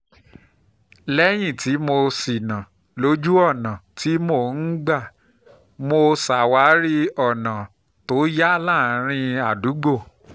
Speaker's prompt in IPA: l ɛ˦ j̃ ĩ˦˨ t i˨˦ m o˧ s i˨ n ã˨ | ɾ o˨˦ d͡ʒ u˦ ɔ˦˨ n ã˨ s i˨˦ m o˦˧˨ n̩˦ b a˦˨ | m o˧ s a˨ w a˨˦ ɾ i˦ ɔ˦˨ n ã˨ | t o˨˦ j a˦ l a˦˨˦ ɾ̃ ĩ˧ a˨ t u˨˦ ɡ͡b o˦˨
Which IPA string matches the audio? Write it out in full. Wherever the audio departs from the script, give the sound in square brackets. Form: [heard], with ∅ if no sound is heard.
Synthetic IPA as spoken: l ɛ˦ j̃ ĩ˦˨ t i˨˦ m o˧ s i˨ n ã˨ | [l] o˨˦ d͡ʒ u˦ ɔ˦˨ n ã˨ [t] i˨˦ m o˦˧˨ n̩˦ [ɡ͡b] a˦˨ | m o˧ s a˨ w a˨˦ ɾ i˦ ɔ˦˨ n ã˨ | t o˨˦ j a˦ l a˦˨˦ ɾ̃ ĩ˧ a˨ [d] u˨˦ ɡ͡b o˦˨